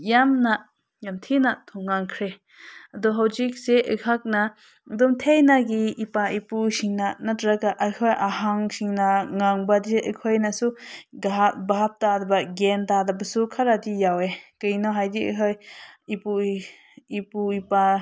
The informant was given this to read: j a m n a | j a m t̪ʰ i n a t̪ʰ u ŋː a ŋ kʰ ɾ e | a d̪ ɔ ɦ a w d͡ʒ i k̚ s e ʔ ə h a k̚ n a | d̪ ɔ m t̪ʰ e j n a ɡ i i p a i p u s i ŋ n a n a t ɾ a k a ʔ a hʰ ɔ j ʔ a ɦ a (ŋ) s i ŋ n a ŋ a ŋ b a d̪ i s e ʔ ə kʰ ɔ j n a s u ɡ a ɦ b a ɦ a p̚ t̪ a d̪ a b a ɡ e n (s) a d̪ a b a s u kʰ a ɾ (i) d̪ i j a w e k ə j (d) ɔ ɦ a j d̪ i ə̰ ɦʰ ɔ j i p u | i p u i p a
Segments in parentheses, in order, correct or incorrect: correct, incorrect, incorrect, incorrect

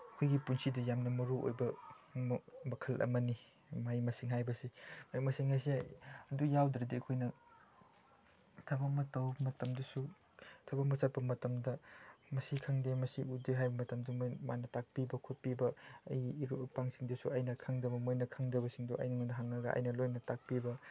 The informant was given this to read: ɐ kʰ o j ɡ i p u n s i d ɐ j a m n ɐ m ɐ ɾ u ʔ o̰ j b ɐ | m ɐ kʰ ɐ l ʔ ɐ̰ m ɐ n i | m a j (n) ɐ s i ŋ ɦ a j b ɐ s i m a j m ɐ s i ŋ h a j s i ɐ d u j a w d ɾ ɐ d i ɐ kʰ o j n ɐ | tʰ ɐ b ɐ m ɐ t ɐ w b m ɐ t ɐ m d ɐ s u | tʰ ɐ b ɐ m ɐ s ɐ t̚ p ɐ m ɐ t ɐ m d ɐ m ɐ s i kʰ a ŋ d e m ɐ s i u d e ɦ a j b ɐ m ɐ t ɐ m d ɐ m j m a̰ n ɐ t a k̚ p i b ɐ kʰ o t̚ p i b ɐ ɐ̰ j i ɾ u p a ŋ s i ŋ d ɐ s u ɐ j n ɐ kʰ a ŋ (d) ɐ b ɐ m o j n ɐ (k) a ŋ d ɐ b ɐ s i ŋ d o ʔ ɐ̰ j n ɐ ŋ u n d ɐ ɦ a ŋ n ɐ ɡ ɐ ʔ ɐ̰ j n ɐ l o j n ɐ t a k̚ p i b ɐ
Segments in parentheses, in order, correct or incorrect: incorrect, correct, incorrect

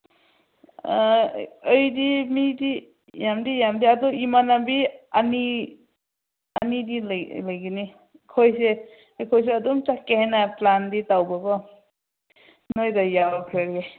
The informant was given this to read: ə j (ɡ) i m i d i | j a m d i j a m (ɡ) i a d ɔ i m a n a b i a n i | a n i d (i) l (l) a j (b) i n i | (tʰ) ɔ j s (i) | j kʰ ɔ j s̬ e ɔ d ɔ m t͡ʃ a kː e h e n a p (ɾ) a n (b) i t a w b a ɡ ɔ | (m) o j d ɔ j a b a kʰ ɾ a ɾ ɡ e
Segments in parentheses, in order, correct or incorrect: incorrect, incorrect, correct, correct, incorrect, incorrect, incorrect, incorrect, incorrect, incorrect

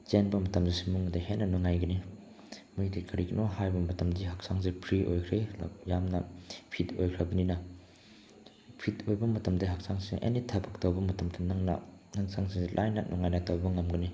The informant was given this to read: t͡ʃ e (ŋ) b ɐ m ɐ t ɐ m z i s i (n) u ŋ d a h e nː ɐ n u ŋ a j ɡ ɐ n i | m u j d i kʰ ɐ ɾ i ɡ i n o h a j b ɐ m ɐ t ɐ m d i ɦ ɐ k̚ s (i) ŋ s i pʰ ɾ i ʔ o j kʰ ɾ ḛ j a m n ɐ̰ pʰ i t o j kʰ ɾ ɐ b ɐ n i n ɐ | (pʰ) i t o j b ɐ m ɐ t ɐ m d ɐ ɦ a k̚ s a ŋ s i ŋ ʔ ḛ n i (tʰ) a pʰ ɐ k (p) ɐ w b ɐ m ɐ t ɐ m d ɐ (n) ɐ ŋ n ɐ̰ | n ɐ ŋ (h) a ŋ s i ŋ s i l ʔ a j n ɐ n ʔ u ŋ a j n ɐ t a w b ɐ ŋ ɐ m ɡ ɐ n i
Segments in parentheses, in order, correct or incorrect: incorrect, incorrect, incorrect, correct, correct, incorrect, correct, incorrect

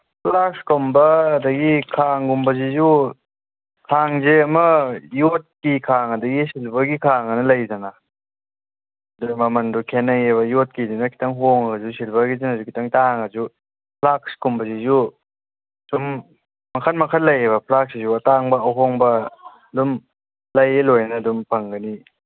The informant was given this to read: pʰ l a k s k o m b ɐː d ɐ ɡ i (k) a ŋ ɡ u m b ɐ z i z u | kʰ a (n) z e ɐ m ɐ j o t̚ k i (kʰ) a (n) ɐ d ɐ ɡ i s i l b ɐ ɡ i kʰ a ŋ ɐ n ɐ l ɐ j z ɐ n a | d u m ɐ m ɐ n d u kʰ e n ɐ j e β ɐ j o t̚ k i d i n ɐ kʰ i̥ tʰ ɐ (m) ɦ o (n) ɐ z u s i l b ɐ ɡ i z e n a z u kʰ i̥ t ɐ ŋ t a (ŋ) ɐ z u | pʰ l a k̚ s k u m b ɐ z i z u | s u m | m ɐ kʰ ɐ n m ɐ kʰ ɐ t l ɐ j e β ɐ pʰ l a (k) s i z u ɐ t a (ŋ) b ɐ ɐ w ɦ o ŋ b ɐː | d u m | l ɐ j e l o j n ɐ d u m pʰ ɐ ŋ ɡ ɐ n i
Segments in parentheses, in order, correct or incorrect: incorrect, incorrect, correct, incorrect, incorrect, incorrect, correct, correct, correct

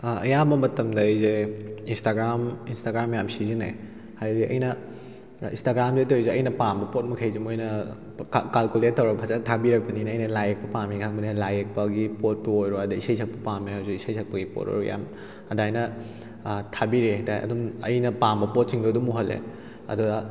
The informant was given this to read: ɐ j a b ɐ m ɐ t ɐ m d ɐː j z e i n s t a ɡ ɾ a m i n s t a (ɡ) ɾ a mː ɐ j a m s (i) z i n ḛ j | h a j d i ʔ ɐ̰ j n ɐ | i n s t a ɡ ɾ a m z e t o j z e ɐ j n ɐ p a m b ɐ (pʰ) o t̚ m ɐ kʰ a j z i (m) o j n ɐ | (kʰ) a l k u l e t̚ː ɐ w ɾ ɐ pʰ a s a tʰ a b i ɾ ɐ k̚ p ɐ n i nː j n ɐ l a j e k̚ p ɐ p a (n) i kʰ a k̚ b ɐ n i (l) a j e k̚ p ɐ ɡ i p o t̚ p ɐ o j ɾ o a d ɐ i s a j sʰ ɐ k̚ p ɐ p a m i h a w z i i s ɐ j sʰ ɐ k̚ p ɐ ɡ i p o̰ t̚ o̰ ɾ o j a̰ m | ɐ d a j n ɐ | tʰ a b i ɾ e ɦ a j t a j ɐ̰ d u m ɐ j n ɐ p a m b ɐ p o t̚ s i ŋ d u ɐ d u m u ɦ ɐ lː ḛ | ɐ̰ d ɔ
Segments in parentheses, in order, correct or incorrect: correct, correct, incorrect, correct, incorrect, incorrect, correct

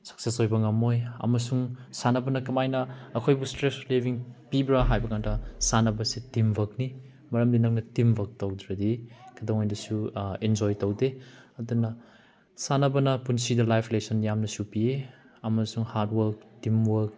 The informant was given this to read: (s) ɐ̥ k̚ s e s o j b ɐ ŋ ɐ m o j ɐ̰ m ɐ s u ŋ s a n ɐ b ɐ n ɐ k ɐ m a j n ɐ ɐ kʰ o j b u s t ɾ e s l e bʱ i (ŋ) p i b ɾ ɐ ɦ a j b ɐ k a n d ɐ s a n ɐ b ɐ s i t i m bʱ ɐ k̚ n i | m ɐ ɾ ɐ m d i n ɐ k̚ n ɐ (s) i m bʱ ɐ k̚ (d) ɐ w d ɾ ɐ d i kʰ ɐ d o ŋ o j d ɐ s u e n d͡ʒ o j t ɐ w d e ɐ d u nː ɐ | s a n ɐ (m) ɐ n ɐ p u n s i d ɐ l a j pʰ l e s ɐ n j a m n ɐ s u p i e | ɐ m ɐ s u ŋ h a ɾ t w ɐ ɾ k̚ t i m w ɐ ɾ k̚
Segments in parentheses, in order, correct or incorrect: correct, correct, incorrect, incorrect, incorrect

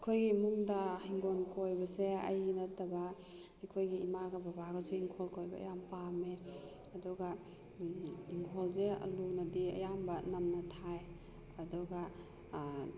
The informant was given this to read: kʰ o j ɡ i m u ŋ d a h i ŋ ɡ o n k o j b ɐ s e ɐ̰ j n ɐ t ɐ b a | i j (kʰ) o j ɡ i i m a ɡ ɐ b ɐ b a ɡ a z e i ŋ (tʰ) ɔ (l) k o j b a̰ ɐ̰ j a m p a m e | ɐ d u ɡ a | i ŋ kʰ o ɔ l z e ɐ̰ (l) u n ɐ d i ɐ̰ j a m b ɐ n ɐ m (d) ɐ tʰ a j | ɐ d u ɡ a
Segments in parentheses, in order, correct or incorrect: correct, incorrect, correct, correct, incorrect

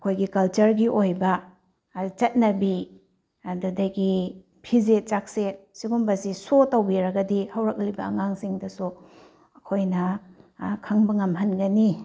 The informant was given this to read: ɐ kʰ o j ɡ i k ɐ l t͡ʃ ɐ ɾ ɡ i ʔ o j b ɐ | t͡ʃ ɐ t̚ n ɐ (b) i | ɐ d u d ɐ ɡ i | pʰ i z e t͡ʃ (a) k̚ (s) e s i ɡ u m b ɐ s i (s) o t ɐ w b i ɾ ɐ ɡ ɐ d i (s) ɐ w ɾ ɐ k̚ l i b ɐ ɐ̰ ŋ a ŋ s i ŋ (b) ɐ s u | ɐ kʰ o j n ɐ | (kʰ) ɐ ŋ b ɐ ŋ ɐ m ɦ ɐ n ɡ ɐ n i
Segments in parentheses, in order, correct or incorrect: correct, correct, correct, correct, incorrect, incorrect, correct

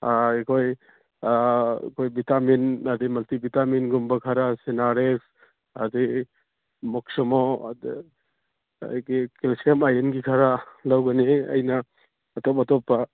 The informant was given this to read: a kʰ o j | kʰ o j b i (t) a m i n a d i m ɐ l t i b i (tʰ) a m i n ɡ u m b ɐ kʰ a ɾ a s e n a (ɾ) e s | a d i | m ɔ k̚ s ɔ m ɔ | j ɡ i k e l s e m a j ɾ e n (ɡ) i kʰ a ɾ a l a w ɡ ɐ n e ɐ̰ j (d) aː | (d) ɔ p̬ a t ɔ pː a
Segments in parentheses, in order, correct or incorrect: correct, incorrect, correct, correct, incorrect, incorrect

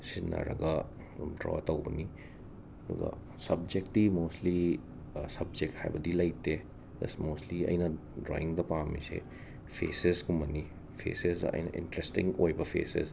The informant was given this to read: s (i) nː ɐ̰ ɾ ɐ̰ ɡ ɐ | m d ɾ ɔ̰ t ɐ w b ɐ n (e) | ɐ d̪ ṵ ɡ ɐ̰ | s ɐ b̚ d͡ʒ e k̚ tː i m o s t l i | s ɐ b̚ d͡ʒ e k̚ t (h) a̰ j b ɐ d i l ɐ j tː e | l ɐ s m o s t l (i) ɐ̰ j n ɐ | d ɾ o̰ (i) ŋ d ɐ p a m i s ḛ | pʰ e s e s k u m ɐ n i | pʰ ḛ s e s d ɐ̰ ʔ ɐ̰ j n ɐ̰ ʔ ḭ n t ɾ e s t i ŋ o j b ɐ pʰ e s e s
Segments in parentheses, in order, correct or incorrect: correct, incorrect, correct, correct, correct

